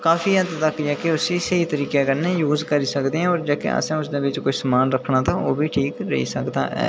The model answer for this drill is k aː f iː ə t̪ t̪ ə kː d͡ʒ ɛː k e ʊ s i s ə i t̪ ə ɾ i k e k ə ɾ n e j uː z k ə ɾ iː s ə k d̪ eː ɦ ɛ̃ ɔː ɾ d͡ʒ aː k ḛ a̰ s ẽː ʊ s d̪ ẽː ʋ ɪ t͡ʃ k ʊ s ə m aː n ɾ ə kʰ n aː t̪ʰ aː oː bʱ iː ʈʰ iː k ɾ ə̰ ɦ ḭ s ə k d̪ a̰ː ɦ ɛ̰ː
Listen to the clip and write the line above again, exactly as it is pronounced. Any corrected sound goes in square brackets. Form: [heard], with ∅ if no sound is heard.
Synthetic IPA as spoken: k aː f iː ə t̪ t̪ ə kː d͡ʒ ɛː k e ʊ s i s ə i t̪ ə ɾ [iː] k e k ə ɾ n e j uː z k ə ɾ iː s ə k d̪ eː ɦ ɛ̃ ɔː ɾ d͡ʒ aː k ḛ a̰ s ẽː ʊ s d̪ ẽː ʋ ɪ t͡ʃ k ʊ s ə m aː n ɾ ə kʰ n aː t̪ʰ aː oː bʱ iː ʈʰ iː k ɾ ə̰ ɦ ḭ s ə k d̪ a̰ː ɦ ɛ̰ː

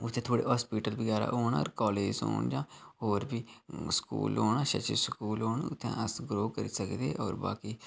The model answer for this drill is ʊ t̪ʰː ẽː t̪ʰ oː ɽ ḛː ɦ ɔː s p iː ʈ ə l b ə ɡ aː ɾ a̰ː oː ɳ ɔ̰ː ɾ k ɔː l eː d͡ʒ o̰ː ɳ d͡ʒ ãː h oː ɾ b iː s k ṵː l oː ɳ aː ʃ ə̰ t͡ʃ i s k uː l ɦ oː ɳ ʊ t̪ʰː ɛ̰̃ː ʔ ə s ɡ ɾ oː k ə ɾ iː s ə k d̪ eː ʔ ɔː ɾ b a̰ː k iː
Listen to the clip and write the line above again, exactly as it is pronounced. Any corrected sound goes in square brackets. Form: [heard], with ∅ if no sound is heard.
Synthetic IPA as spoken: ʊ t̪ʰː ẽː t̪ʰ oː ɽ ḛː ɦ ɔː s p iː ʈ ə l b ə ɡ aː ɾ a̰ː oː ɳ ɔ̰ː ɾ k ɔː l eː d͡ʒ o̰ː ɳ d͡ʒ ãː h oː ɾ b iː s k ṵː l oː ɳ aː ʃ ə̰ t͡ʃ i s k uː l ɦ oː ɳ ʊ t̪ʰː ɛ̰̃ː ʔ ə s ɡ ɾ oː k ə ɾ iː s ə k d̪ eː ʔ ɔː ɾ b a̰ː k iː

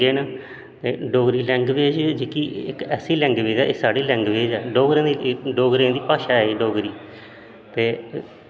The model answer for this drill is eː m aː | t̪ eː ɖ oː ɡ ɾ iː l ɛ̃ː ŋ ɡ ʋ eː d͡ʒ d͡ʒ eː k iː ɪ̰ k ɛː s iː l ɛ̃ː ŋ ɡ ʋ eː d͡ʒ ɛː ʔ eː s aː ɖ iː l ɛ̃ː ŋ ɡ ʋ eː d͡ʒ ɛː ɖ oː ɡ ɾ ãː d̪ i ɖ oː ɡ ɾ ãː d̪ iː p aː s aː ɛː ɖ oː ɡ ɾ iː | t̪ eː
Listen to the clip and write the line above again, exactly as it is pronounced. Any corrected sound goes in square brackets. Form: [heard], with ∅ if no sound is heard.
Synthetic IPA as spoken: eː [n] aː | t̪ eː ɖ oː ɡ ɾ iː l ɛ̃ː ŋ ɡ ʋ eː d͡ʒ d͡ʒ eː k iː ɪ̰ k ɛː s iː l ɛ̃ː ŋ ɡ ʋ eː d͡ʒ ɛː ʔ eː s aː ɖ iː l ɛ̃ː ŋ ɡ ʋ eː d͡ʒ ɛː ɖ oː ɡ ɾ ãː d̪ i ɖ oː ɡ ɾ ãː d̪ iː p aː [ʃ] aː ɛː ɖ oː ɡ ɾ iː | t̪ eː

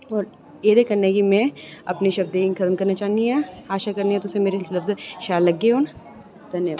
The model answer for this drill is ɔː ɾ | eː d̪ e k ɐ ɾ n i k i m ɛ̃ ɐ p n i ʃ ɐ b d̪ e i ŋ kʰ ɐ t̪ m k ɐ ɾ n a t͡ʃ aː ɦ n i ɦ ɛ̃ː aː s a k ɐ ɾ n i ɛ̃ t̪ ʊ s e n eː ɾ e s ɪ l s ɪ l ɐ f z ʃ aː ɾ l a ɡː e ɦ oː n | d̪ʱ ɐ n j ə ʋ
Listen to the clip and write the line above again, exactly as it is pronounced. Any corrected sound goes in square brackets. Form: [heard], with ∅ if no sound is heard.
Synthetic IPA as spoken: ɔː ɾ | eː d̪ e k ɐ ɾ n [e] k i m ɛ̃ ɐ p n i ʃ ɐ b d̪ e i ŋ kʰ ɐ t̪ m k ɐ ɾ n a t͡ʃ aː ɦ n i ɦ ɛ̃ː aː [ʃ] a k ɐ ɾ n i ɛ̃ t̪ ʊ s e [m] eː ɾ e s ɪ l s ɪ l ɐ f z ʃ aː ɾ l [ɐ] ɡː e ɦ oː n | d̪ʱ ɐ n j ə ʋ

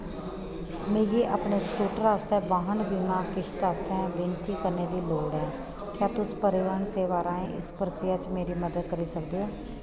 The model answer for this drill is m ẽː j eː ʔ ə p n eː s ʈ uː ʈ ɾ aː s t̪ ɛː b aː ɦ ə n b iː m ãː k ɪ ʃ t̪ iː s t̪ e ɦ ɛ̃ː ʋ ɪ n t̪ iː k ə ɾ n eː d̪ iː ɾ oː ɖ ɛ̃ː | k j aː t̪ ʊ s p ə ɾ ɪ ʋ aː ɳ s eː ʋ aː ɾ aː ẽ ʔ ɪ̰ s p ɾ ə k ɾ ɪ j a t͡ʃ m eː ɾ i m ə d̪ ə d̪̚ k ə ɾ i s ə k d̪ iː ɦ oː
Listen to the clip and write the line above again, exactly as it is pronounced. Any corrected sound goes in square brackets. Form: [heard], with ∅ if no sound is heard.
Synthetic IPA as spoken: m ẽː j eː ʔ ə p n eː s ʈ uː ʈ ɾ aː s t̪ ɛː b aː ɦ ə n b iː m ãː k ɪ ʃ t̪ [aː] s t̪ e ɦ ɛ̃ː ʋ ɪ n t̪ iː k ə ɾ n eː d̪ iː [l] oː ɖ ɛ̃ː | k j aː t̪ ʊ s p ə ɾ ɪ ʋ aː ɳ s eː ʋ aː ɾ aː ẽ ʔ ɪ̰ s p ɾ ə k ɾ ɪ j a t͡ʃ m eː ɾ i m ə d̪ ə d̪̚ k ə ɾ i s ə k d̪ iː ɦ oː

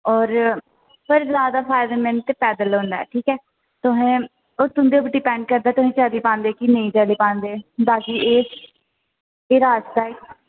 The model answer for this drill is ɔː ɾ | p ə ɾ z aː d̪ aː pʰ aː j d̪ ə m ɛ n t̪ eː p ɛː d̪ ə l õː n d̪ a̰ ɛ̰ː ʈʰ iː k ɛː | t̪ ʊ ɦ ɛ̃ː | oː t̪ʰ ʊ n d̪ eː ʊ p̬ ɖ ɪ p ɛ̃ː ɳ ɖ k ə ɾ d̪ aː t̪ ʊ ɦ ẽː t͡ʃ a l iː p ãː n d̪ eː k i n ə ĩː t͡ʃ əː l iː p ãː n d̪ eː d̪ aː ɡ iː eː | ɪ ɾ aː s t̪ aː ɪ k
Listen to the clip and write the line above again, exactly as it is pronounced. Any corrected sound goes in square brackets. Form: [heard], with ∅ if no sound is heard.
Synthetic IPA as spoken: ɔː ɾ | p ə ɾ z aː d̪ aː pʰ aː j d̪ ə m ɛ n t̪ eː p ɛː d̪ ə l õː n d̪ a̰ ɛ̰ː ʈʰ iː k ɛː | t̪ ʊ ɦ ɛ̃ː | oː [t̪] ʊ n d̪ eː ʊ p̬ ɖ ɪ p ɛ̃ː ɳ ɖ k ə ɾ d̪ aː t̪ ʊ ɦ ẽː t͡ʃ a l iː p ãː n d̪ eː k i n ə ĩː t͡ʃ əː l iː p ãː n d̪ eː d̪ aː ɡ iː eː | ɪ ɾ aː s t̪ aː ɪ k

